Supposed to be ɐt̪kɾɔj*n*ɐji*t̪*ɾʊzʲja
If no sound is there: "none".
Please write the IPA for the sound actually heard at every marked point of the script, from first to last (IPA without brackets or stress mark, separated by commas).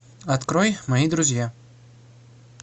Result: m, d̪